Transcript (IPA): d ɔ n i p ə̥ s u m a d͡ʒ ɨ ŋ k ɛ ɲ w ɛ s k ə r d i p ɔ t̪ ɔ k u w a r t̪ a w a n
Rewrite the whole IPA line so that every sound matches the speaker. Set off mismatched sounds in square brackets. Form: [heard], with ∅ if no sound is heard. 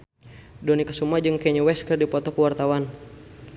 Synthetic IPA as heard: d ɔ n i [k] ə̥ s u m a d͡ʒ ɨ ŋ k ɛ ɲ w ɛ s k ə r d i p ɔ t̪ ɔ k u w a r t̪ a w a n